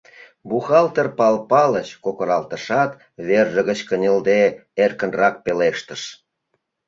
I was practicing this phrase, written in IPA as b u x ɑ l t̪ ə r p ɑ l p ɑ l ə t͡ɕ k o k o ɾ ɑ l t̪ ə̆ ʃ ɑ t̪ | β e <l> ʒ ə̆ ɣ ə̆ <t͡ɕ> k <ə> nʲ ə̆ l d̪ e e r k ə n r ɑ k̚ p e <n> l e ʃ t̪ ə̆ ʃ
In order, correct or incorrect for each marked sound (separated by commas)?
incorrect, correct, correct, incorrect